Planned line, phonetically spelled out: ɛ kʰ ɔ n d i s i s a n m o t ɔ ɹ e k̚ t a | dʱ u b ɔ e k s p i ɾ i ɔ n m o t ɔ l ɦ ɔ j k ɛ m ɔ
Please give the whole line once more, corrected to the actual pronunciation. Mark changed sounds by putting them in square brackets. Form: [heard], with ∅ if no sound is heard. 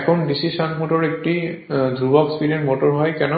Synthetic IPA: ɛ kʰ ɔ n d i s i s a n m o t ɔ ɹ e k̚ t [i] | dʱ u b ɔ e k s p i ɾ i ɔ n m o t ɔ [ɹ] ɦ ɔ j k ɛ [n] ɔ